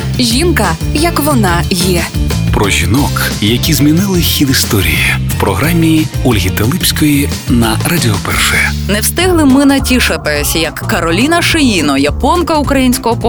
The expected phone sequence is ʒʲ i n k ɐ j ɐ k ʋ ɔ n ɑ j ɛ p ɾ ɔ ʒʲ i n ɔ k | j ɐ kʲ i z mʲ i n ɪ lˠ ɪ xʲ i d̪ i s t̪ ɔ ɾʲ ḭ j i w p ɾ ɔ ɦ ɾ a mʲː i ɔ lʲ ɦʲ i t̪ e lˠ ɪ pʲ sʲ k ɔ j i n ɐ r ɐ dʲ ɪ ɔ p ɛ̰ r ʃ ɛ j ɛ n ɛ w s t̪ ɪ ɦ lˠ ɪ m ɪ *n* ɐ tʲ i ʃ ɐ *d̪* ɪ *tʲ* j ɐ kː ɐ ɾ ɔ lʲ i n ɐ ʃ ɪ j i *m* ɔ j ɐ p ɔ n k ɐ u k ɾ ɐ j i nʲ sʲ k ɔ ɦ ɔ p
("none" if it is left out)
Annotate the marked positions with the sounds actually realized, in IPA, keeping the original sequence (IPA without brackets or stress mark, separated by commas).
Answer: n, t̪, sʲ, n